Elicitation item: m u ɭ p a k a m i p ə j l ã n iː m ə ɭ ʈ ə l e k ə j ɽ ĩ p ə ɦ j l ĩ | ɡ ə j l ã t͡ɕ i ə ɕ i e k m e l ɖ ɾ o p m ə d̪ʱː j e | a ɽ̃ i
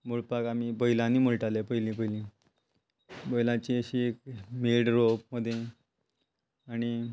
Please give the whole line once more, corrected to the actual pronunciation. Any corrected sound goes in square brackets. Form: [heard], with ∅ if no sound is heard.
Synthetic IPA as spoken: m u ɭ p a k a m i [b] ə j l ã n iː m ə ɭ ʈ [a] l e [p] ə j [l] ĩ p ə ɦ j l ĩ | [b] ə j l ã t͡ɕ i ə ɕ i e k m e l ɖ ɾ o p m ə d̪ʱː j e | a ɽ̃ i